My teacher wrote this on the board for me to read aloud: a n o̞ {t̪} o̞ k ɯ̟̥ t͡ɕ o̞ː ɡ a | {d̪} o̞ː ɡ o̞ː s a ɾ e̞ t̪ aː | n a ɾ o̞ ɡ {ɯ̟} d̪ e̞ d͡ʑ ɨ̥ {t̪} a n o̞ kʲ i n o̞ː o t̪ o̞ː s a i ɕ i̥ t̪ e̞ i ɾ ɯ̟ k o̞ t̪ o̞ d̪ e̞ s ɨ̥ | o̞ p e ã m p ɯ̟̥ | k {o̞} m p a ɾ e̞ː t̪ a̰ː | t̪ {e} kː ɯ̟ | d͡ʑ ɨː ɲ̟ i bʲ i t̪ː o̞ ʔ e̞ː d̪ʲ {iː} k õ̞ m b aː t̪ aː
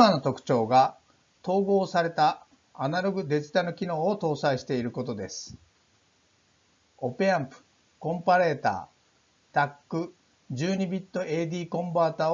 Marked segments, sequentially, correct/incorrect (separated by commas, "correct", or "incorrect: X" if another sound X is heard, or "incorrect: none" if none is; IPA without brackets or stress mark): correct, incorrect: t̪, correct, correct, incorrect: õ̞, incorrect: a, correct